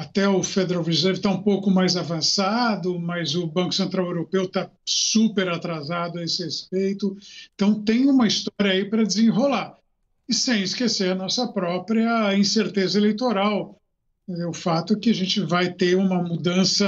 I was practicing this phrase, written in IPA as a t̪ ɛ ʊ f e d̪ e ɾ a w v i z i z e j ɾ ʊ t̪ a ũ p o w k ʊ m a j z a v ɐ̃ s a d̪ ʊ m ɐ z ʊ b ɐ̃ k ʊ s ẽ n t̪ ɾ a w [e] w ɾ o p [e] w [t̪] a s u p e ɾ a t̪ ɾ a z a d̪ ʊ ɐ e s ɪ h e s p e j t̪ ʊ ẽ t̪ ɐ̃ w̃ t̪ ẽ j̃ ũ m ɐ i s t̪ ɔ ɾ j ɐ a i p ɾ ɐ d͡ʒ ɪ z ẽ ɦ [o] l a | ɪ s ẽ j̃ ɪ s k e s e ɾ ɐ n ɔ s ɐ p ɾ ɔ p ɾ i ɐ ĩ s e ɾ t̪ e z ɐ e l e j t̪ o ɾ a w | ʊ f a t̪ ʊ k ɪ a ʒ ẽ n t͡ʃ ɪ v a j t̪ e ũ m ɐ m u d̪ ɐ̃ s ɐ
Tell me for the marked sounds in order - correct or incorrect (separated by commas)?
correct, correct, correct, correct